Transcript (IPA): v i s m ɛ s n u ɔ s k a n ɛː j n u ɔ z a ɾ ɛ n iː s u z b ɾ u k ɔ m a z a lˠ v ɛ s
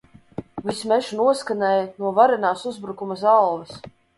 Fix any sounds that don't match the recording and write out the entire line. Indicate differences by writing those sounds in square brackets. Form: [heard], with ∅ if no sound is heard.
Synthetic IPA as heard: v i s m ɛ [ʃ] n u ɔ s k a n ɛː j n u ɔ [v] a ɾ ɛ n [aː] s u z b ɾ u k [u] m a z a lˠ v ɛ s